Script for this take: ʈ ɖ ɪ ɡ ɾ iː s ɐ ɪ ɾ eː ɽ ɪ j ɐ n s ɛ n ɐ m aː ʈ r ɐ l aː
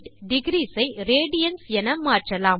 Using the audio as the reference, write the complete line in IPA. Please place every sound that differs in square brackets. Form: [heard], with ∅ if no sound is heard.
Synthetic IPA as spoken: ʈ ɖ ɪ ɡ ɾ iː s ɐ ɪ ɾ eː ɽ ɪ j ɐ n s ɛ n ɐ m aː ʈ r ɐ l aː